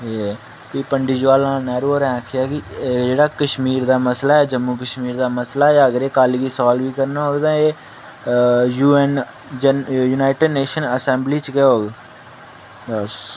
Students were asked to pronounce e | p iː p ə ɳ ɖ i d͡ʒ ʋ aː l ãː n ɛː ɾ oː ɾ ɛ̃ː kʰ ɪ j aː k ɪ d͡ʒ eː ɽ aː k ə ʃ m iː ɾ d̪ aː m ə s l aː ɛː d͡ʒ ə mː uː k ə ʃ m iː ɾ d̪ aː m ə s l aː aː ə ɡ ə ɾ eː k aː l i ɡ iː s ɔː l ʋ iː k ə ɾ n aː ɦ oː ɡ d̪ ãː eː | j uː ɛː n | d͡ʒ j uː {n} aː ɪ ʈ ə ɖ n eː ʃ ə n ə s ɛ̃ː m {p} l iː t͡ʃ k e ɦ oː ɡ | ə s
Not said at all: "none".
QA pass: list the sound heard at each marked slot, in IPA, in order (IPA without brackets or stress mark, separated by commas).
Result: n, b